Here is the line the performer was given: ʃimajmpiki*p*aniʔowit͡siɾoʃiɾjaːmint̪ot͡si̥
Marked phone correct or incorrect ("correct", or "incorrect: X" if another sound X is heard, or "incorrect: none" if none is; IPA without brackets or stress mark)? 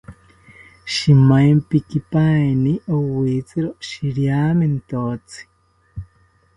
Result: correct